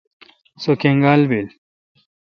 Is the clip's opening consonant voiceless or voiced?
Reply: voiceless